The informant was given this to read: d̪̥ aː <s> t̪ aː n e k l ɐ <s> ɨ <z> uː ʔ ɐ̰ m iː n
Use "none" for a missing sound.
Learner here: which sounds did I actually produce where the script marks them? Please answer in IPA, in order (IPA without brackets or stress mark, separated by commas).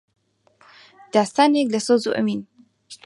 s, s, z